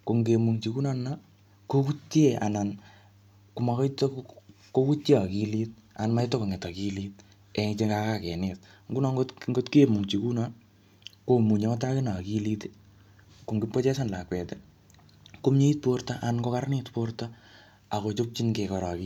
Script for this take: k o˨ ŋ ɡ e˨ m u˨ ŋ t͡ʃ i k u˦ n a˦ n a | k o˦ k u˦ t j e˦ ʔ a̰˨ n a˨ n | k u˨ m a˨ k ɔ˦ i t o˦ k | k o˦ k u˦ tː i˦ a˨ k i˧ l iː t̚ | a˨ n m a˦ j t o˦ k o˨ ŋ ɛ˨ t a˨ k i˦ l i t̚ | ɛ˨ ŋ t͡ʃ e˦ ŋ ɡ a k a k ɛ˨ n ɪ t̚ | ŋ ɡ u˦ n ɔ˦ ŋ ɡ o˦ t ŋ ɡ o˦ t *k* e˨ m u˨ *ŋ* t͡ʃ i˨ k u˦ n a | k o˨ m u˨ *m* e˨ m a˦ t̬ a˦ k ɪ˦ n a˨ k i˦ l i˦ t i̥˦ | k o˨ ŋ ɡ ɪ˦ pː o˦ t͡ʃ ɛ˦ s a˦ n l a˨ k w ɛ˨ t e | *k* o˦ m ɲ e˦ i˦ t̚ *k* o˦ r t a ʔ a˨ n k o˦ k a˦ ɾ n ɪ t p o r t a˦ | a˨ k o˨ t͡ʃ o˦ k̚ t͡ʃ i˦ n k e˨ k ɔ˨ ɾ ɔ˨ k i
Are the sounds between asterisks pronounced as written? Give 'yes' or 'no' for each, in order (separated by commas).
yes, yes, no, yes, no